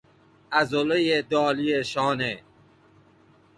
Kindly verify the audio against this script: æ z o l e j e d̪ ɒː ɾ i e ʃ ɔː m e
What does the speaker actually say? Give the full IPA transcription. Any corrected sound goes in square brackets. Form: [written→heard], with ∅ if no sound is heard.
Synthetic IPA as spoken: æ z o l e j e d̪ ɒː [ɾ→l] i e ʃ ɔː [m→n] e

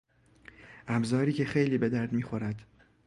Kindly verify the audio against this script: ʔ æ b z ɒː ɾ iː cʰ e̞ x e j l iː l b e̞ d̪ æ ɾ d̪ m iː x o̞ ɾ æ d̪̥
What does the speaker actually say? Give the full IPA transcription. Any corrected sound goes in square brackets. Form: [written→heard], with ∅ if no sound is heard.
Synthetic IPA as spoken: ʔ æ b z ɒː ɾ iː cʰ e̞ x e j l iː [l→∅] b e̞ d̪ æ ɾ d̪ m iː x o̞ ɾ æ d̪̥

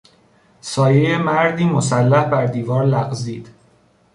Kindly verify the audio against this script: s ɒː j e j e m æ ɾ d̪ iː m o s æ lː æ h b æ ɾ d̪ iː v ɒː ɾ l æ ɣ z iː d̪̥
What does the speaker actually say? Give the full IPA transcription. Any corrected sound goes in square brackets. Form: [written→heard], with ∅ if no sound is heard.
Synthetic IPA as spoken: s ɒː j e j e m æ ɾ d̪ iː m o s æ lː æ h b æ ɾ d̪ iː v ɒː ɾ l æ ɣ z iː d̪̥

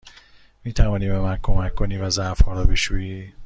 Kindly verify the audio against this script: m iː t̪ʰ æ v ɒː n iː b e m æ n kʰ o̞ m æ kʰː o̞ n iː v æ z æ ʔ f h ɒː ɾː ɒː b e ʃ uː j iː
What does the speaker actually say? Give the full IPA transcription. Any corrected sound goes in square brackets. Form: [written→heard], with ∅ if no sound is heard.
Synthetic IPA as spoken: m iː t̪ʰ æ v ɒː n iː b e m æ n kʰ o̞ m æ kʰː o̞ n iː v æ z æ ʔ f h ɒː [ɾː→ɾ] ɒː b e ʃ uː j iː

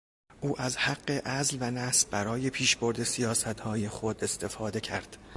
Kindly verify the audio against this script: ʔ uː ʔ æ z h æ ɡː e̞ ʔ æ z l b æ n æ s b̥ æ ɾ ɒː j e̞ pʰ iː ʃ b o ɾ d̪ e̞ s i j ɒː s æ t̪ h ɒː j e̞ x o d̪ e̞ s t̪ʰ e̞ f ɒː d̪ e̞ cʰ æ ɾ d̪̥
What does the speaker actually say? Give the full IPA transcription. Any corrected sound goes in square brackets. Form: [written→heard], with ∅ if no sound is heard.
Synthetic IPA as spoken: ʔ uː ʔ æ z h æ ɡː e̞ ʔ æ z l [b→v] æ n æ s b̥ æ ɾ ɒː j e̞ pʰ iː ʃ b o ɾ d̪ e̞ s i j ɒː s æ t̪ h ɒː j e̞ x o d̪ e̞ s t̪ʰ e̞ f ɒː d̪ e̞ cʰ æ ɾ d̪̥

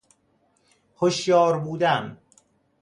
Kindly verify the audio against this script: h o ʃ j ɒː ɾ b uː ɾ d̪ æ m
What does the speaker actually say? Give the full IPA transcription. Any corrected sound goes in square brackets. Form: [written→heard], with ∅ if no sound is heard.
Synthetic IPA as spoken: h o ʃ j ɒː ɾ b uː [ɾ→∅] d̪ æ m

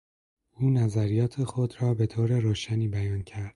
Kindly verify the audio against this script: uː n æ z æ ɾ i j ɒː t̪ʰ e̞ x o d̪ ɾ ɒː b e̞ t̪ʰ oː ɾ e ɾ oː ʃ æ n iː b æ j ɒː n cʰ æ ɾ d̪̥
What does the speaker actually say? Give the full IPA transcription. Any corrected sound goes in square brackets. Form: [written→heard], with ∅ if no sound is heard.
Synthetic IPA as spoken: uː n æ z æ ɾ i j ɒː t̪ʰ e̞ x o d̪ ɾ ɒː b e̞ t̪ʰ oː ɾ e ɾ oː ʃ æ n iː b æ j ɒː n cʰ æ ɾ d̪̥

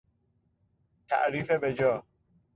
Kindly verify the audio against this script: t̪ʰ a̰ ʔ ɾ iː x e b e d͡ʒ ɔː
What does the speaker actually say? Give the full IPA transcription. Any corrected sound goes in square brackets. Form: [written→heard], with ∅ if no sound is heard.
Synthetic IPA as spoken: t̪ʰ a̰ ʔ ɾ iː [x→f] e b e d͡ʒ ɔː

